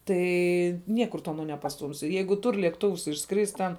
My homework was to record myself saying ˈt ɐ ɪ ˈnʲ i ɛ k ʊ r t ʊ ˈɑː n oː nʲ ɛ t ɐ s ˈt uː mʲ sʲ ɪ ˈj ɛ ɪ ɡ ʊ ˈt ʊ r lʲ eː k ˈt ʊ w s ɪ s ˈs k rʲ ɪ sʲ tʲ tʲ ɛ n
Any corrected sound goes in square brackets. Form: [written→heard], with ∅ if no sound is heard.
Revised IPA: ˈt ɐ ɪ ˈnʲ i ɛ k ʊ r t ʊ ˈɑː n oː nʲ ɛ [t→p] ɐ s ˈt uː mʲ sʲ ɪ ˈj ɛ ɪ ɡ ʊ ˈt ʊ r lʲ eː k ˈt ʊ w s ɪ [s→ʃ] ˈs k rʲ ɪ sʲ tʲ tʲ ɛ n